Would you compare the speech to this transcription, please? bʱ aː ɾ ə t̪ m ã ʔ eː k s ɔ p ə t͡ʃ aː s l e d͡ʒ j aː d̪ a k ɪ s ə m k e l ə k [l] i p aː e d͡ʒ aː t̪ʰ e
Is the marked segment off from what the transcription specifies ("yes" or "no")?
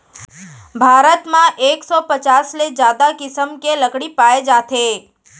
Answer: yes